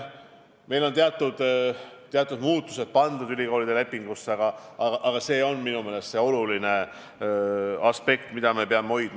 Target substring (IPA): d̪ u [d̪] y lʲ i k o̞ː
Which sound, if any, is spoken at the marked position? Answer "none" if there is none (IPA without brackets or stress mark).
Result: d̪